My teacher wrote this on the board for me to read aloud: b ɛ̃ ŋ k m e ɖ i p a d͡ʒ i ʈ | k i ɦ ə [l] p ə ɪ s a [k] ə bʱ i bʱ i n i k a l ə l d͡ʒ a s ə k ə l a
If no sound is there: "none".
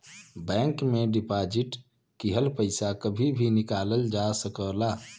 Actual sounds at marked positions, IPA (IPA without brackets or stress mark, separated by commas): l, k